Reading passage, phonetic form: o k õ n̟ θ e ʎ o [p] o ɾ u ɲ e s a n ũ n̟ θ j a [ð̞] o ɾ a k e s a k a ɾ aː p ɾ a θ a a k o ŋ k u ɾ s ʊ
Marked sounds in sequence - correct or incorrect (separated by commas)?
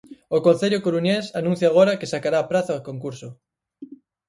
incorrect, incorrect